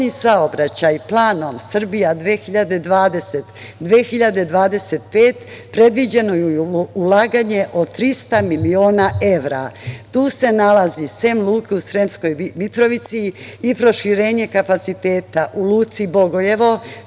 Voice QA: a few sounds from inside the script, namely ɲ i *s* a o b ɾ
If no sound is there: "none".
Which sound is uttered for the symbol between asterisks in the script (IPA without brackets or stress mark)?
s